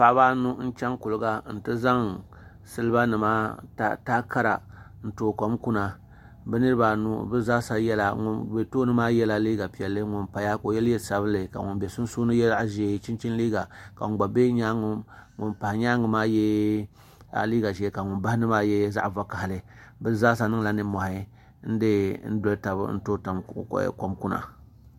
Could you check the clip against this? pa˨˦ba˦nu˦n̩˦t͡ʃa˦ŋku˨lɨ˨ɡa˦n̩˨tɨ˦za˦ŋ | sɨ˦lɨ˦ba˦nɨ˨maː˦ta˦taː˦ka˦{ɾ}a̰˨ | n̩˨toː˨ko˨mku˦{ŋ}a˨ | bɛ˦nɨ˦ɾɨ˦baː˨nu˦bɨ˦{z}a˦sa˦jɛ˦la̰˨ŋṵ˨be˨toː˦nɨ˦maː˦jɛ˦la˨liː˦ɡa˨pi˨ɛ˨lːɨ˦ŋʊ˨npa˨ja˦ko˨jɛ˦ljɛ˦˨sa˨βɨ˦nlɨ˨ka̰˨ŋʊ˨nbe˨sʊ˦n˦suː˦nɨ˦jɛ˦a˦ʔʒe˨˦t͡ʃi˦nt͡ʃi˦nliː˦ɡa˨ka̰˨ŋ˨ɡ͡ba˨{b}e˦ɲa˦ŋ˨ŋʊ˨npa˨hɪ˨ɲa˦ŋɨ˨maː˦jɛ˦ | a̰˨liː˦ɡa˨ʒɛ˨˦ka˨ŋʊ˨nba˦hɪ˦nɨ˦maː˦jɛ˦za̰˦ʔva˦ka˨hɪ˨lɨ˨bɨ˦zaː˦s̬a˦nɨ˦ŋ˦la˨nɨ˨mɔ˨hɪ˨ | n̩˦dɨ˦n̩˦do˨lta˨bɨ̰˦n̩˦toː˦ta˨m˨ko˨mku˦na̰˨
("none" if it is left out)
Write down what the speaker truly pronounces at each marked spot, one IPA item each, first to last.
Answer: ɾ, n, z, b

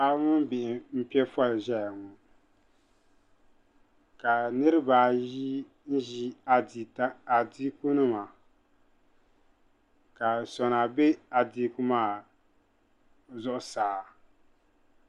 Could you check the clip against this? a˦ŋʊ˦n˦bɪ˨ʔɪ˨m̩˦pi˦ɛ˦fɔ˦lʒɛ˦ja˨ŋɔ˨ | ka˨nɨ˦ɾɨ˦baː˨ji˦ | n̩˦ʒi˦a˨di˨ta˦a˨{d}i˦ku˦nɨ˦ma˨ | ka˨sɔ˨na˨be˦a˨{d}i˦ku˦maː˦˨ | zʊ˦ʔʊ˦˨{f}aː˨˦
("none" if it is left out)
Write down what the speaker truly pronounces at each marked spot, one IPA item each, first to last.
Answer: d, d, s

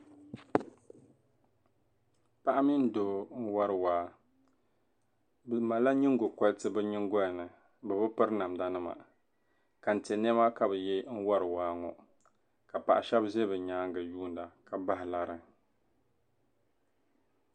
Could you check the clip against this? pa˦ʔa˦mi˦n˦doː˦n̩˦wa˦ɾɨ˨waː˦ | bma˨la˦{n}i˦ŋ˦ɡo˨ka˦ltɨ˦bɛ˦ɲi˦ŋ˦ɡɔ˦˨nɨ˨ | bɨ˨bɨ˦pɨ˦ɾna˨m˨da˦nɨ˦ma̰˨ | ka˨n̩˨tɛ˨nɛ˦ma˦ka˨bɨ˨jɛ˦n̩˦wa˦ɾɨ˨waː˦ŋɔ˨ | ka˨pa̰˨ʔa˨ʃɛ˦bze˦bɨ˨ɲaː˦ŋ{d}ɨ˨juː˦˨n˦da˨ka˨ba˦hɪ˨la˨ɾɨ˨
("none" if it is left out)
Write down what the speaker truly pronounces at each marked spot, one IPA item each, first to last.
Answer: ɲ, ɡ

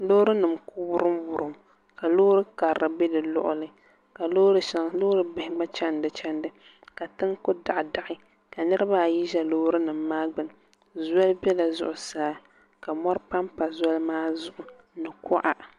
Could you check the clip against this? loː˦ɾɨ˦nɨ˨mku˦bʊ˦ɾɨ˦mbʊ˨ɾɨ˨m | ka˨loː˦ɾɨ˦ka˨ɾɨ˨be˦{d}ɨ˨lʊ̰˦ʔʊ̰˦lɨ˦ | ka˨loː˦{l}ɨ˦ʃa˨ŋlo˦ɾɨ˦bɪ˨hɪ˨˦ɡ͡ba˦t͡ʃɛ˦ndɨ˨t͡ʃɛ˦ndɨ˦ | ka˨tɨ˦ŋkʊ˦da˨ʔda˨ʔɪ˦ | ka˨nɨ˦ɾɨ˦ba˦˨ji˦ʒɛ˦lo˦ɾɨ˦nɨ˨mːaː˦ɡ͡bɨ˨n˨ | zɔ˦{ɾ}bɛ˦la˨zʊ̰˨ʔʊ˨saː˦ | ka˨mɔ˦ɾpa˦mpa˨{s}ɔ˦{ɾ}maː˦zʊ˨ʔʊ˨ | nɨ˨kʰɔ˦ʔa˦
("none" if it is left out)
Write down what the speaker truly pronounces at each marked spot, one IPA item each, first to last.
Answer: d, ɾ, l, z, l

